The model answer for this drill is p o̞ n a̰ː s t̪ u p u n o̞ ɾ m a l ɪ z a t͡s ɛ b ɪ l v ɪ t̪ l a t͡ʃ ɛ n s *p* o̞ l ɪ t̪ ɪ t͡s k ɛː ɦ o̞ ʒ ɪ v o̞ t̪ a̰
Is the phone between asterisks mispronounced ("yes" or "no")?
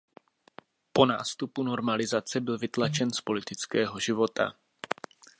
no